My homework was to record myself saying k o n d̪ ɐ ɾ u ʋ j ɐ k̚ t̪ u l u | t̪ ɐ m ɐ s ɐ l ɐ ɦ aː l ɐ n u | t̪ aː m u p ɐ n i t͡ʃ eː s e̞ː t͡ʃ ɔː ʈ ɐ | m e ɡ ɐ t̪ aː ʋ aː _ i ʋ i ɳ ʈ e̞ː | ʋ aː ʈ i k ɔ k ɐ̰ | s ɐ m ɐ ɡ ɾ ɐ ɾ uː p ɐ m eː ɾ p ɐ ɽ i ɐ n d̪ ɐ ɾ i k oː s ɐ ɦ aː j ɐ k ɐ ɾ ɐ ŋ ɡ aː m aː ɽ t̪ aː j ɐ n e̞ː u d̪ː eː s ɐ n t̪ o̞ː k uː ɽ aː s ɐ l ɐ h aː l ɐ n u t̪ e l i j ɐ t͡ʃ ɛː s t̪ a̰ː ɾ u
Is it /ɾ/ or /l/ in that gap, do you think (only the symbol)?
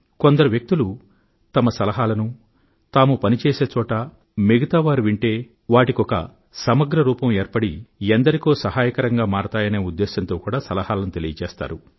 ɾ